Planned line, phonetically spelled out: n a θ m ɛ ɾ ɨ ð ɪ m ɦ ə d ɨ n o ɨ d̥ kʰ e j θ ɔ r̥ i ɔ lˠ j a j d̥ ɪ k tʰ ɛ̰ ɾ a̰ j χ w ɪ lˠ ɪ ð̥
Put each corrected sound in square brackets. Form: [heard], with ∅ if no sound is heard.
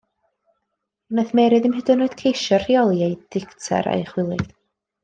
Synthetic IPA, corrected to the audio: n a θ m ɛ ɾ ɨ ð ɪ m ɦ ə d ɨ n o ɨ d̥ kʰ e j [ʃ] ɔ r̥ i ɔ lˠ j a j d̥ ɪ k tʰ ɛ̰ ɾ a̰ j χ w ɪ lˠ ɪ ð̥